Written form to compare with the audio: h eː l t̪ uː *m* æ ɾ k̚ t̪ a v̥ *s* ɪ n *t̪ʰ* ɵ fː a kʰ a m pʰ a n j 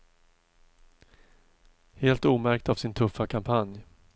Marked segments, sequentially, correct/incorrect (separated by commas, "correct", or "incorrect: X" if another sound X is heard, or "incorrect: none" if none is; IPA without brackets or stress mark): correct, correct, correct